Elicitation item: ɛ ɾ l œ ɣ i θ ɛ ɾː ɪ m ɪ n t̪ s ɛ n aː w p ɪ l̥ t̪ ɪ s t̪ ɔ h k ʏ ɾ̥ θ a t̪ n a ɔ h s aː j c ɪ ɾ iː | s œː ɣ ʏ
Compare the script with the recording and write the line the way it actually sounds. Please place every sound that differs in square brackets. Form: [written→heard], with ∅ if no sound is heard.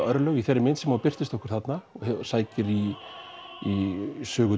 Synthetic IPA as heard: [ɛ→œ] ɾ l œ ɣ i θ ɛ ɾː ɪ m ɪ n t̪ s ɛ [n→m] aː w p ɪ [l̥→r̥] t̪ ɪ s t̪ ɔ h k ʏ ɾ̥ θ a t̪ n a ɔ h s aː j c ɪ ɾ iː | s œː ɣ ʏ